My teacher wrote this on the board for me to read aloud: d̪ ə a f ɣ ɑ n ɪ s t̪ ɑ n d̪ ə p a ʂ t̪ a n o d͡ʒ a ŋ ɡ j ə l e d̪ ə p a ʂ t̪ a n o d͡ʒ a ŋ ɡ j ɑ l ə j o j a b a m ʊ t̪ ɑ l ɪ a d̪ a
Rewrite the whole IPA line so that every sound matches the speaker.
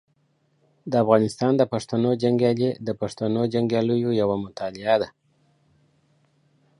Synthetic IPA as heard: d̪ ə a f ɣ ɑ n ɪ s t̪ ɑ n d̪ ə p a ʂ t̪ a n o d͡ʒ a ŋ ɡ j ɑ l e d̪ ə p a ʂ t̪ a n o d͡ʒ a ŋ ɡ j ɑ l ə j o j a w a m ʊ t̪ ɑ l ɪ a d̪ a